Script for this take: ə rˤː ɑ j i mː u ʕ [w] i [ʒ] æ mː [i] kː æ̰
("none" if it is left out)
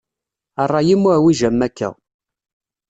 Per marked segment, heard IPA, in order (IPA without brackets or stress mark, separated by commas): w, ʒ, æ